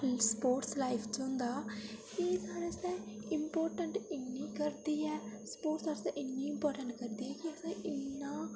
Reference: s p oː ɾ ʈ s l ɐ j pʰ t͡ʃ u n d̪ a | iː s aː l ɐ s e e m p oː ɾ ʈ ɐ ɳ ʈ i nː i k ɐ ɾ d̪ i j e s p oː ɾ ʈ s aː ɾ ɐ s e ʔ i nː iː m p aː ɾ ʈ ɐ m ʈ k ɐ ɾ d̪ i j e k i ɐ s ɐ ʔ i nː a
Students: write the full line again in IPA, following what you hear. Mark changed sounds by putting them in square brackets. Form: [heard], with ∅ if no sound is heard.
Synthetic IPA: s p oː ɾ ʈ s l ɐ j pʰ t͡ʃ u n d̪ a | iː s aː [ɾ] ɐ s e [i] m p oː ɾ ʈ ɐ ɳ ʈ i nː i k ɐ ɾ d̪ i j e s p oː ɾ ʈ s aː ɾ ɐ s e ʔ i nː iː m p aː ɾ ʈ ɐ [ɳ] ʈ k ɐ ɾ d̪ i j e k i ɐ s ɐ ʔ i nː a